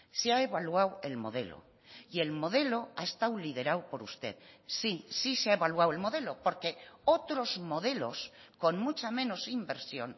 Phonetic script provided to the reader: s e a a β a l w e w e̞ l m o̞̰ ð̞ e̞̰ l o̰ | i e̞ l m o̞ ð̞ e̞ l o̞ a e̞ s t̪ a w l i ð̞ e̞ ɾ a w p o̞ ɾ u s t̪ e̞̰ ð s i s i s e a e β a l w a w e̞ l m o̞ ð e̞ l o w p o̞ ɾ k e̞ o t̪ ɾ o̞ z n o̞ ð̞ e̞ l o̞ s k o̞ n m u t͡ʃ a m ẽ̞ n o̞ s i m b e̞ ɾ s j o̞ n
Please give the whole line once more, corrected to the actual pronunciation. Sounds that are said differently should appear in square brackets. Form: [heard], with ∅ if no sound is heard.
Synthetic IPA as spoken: s e a [e] β a l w [a] w e̞ l m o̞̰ ð̞ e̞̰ l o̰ | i e̞ l m o̞ ð̞ e̞ l o̞ a e̞ s t̪ a w l i ð̞ e̞ ɾ a w p o̞ ɾ u s t̪ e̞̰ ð s i s i s e a e β a l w a w e̞ l m o̞ ð e̞ l o [∅] p o̞ ɾ k e̞ o t̪ ɾ o̞ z [m] o̞ ð̞ e̞ l o̞ s k o̞ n m u t͡ʃ a m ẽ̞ n o̞ s i m b e̞ ɾ s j o̞ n